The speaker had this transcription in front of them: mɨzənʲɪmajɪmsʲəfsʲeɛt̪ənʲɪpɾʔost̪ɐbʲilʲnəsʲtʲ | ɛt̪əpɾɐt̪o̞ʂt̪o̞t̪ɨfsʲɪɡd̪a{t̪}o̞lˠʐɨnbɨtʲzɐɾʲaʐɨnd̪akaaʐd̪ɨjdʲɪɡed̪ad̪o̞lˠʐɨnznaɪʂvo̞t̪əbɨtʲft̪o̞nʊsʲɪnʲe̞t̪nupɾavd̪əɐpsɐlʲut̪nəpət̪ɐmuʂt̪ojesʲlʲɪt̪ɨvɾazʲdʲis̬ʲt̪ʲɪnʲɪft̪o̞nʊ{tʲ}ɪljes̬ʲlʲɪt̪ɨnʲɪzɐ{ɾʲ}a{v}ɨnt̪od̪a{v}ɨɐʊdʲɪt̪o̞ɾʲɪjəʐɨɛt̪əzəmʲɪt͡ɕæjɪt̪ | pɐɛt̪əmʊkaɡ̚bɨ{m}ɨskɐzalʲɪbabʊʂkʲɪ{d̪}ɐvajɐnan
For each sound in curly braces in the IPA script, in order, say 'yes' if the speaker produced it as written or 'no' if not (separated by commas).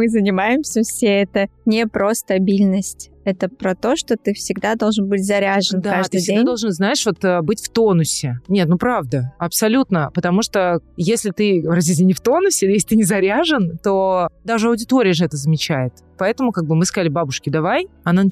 no, no, yes, no, no, yes, yes